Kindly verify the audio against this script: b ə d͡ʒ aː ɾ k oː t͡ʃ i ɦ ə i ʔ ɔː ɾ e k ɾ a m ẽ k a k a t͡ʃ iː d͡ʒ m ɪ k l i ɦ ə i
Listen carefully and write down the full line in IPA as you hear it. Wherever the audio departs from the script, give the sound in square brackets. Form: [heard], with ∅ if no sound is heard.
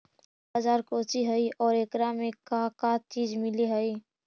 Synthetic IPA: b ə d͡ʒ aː ɾ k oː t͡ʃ i ɦ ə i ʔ ɔː ɾ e k ɾ a m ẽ k a k a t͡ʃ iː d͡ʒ m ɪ [∅] l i ɦ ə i